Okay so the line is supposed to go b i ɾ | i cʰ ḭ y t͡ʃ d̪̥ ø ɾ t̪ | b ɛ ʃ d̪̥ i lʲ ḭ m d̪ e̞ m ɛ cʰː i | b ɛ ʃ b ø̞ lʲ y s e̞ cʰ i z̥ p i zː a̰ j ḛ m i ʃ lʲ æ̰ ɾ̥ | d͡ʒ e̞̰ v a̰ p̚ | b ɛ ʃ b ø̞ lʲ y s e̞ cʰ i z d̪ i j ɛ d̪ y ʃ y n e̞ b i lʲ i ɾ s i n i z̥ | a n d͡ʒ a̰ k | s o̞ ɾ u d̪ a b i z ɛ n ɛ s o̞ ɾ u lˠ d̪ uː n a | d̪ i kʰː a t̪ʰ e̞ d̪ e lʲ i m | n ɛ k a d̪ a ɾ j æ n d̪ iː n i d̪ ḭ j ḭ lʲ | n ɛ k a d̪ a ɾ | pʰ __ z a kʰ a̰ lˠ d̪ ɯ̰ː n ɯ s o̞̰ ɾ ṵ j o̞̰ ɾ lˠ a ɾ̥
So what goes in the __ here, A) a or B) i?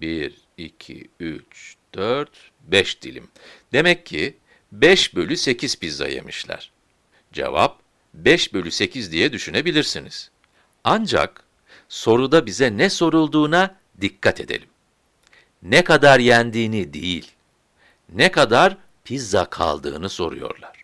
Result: B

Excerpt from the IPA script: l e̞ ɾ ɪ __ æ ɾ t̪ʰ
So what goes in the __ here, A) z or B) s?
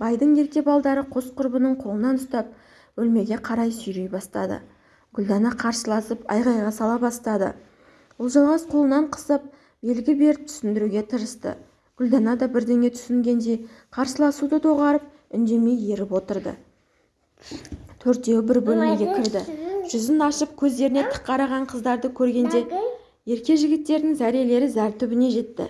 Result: A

